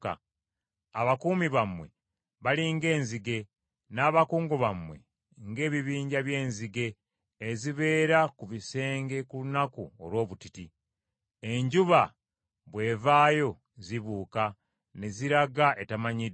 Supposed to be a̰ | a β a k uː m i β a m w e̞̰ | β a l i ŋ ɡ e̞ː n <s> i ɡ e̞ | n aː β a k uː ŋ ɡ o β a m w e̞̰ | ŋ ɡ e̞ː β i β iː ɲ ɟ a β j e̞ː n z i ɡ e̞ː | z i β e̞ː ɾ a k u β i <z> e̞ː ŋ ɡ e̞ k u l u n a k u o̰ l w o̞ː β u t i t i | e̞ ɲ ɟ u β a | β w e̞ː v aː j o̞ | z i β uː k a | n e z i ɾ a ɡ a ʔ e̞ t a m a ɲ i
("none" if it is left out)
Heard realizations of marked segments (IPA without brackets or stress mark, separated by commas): z, s